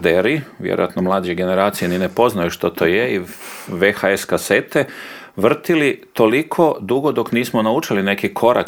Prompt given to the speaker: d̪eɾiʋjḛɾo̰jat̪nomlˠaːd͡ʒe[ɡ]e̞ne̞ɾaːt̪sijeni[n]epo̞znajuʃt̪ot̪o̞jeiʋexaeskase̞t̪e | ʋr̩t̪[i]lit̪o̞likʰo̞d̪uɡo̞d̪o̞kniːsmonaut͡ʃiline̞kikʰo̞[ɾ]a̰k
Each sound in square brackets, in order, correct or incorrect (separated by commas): correct, correct, correct, correct